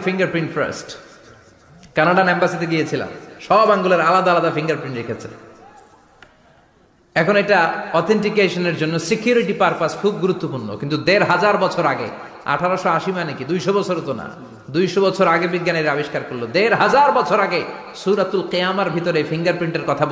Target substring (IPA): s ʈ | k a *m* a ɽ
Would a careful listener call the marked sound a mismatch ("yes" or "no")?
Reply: yes